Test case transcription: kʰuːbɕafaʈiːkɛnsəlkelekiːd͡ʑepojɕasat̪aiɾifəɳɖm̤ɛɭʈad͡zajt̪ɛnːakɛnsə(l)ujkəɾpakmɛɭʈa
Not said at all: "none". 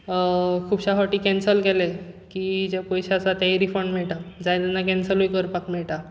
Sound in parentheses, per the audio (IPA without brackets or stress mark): l